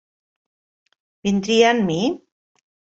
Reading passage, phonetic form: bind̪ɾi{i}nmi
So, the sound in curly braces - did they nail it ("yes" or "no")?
no